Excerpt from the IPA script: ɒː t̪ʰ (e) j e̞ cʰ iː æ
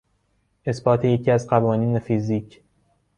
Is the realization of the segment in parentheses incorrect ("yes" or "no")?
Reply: no